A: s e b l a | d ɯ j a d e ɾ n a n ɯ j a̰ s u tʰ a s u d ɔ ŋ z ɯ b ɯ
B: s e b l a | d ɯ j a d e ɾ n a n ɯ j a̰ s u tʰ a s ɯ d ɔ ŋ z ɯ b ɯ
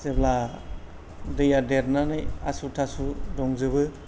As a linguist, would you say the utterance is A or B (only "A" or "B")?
A